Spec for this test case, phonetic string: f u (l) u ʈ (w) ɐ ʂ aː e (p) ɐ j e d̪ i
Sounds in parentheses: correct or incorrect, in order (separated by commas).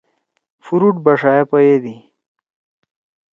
incorrect, incorrect, correct